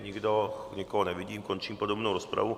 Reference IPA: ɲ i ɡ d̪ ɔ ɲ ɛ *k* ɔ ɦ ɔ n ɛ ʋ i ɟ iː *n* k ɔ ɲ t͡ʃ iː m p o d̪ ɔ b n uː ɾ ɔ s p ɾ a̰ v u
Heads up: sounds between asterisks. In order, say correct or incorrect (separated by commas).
correct, incorrect